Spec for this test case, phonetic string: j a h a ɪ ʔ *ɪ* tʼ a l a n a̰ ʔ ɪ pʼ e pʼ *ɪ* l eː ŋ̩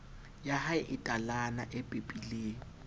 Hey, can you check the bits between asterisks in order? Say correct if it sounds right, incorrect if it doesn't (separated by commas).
correct, incorrect